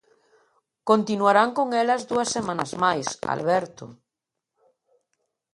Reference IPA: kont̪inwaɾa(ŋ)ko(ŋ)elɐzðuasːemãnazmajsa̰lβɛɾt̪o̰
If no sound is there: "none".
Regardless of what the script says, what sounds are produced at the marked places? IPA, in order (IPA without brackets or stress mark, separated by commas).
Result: ŋ, ŋ